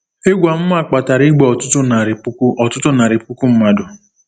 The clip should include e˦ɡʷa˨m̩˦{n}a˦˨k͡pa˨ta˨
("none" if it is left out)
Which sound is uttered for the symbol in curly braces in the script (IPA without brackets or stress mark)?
m